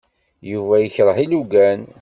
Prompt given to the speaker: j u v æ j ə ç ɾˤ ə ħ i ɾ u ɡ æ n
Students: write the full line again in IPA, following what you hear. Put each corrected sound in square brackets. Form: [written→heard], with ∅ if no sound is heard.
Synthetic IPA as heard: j u v æ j ə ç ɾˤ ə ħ i [ɾ→l] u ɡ æ n